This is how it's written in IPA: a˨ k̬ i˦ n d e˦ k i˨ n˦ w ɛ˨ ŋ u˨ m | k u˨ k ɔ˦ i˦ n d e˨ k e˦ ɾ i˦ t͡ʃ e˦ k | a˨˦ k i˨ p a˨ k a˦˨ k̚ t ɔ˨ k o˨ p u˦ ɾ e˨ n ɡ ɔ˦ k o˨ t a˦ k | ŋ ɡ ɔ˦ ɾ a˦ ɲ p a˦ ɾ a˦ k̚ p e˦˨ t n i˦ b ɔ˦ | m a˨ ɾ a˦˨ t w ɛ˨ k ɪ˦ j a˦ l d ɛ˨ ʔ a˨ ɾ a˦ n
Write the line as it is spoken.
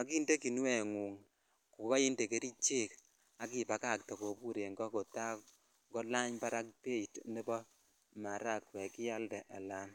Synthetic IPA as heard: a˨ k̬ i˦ n d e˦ k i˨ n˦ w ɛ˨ ŋ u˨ ŋ | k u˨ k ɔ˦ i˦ n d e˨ k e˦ ɾ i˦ t͡ʃ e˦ k | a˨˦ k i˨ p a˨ k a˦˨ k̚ t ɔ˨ k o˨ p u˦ ɾ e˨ ŋ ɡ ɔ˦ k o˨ t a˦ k | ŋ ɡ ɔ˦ l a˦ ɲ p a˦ ɾ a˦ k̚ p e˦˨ t n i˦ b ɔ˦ | m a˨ ɾ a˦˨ k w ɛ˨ k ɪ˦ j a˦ l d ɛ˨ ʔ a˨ l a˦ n